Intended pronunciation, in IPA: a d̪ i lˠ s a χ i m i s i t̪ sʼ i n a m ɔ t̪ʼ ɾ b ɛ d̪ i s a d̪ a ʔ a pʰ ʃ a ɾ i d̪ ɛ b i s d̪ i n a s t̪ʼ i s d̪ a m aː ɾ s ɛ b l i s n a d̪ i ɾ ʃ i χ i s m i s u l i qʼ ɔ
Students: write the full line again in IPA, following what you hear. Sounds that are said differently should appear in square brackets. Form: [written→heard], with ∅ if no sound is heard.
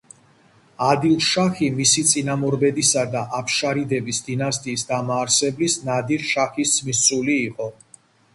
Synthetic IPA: a d̪ i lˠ [s→ʃ] a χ i m i s i t̪ sʼ i n a m ɔ [t̪ʼ→∅] ɾ b ɛ d̪ i s a d̪ a ʔ a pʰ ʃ a ɾ i d̪ ɛ b i s d̪ i n a s t̪ʼ [i→iː] s d̪ a m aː ɾ s ɛ b l i s n a d̪ i ɾ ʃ [i→a] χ i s m i s u l [i→iː] qʼ ɔ